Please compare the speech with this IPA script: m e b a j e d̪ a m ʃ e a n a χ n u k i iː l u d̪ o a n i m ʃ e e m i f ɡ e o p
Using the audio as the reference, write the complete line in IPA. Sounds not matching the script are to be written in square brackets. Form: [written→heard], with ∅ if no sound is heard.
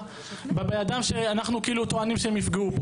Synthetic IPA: [m→b] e b [a→e] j [e→a] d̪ a m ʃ e a n a χ n u k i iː l u [d̪→t̪] o a n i m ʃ e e m i f ɡ e [o→u] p